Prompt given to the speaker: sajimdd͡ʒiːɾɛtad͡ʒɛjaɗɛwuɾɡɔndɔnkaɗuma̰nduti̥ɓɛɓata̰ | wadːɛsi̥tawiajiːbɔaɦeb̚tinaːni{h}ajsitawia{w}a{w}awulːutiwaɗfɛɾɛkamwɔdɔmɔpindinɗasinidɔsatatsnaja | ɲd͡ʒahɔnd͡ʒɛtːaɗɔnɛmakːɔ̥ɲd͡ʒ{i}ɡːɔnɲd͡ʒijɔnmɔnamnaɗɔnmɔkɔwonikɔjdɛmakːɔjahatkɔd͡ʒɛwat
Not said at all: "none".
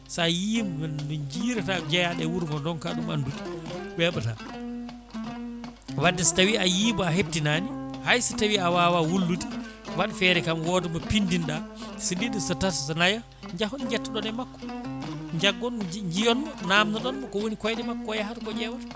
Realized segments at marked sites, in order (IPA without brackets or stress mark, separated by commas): h, w, w, a